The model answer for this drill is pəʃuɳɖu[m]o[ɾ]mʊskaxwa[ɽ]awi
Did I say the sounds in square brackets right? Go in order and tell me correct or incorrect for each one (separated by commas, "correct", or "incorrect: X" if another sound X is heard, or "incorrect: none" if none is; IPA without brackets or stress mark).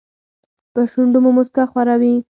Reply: correct, incorrect: none, incorrect: ɾ